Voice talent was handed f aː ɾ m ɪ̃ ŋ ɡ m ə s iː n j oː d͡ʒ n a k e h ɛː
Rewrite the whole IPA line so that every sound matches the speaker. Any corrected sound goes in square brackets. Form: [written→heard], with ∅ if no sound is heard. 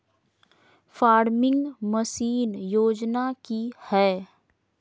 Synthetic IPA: f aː ɾ m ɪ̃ ŋ ɡ m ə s iː n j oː d͡ʒ n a k [e→i] h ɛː